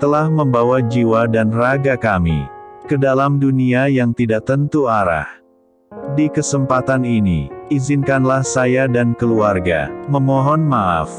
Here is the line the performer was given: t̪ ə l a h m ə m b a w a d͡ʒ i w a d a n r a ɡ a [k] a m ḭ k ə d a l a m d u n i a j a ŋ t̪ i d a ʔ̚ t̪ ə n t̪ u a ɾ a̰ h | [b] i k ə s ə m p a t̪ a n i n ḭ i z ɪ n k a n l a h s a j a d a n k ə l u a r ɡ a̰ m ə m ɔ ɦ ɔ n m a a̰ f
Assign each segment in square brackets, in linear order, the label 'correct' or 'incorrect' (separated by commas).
correct, incorrect